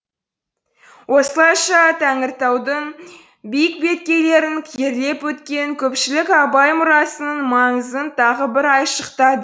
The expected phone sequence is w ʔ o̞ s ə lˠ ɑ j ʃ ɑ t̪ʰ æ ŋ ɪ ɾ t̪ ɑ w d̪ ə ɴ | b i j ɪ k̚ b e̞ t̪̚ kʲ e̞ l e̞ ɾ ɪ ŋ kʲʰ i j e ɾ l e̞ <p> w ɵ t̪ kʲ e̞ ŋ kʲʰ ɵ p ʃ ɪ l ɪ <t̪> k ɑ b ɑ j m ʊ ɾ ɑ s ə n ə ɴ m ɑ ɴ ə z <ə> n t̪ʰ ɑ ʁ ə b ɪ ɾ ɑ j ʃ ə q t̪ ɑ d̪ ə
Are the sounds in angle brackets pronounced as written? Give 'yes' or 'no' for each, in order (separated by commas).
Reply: yes, no, yes